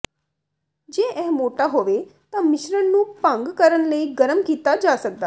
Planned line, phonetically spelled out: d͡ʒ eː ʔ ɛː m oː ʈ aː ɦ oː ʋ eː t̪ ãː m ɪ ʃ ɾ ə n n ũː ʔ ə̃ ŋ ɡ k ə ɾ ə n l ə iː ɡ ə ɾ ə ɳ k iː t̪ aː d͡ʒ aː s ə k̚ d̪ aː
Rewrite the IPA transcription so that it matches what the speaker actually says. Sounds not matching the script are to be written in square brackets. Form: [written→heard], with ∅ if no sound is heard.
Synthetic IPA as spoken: d͡ʒ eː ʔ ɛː m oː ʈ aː ɦ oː ʋ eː t̪ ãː m ɪ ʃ ɾ ə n n ũː [ʔ→p] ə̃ ŋ ɡ k ə ɾ ə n l ə iː ɡ ə ɾ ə [ɳ→m] k iː t̪ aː d͡ʒ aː s ə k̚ d̪ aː